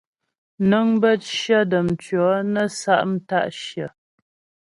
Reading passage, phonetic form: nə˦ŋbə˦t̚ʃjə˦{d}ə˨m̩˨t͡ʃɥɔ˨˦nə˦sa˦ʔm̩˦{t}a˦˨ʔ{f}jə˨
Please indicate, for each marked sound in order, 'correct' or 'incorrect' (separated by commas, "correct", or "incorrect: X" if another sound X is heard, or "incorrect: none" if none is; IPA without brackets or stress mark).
correct, correct, incorrect: ʃ